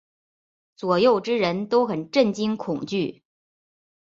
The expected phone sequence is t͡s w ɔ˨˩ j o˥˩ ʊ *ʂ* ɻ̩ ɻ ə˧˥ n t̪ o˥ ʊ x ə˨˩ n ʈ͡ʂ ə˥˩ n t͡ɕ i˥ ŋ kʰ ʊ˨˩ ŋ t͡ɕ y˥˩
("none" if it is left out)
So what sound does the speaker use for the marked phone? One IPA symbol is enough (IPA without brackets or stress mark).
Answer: ʈ͡ʂ